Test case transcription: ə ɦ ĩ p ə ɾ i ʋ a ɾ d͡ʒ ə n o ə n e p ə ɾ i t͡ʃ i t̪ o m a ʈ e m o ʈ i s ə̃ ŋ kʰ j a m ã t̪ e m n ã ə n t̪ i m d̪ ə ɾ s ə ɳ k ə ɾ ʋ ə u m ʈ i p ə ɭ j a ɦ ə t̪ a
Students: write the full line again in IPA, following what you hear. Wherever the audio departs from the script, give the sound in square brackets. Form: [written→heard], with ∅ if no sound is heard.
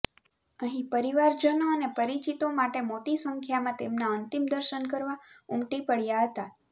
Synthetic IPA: ə ɦ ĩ p ə ɾ i ʋ a ɾ d͡ʒ ə n o ə n e p ə ɾ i t͡ʃ i t̪ o m a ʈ e m o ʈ i s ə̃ ŋ kʰ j a m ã t̪ e m n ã ə n t̪ i m d̪ ə ɾ [s→ʃ] ə [ɳ→n] k ə ɾ ʋ [ə→a] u m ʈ i p ə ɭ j a ɦ ə t̪ a